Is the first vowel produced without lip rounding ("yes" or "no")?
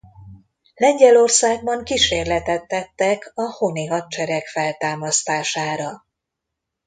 yes